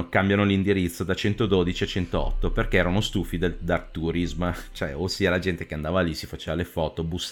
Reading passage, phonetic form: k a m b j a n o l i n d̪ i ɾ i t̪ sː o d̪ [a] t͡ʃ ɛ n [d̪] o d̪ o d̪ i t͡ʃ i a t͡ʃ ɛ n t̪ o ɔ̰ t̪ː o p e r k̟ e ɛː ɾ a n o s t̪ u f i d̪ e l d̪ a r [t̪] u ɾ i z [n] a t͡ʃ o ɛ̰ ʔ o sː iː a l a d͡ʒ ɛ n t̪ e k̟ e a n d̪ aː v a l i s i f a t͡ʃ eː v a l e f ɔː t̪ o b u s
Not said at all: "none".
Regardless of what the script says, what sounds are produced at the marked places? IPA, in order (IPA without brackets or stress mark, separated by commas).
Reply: a, t̪, t̪, m